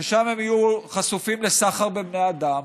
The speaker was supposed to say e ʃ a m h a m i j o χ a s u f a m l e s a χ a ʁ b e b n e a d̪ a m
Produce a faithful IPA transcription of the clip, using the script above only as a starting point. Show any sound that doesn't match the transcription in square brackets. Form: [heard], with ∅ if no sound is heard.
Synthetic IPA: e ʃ a m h [e] m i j [u] χ a s u f [i] m l e s a χ a ʁ b e b n e a d̪ a m